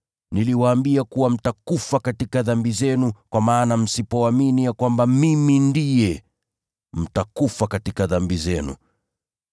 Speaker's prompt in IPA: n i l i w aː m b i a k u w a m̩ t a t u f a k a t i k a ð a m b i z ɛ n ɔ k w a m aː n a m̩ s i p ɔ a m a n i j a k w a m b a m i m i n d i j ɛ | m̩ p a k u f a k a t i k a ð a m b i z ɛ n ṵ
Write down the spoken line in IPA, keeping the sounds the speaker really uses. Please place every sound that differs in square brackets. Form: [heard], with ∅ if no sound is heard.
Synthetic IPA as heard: n i l i w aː m b i a k u w a m̩ t a [k] u f a k a t i k a ð a m b i z ɛ n [u] k w a m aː n a m̩ s i p ɔ a m [i] n i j a k w a m b a m i m i n d i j ɛ | m̩ [t] a k u f a k a t i k a ð a m b i z ɛ n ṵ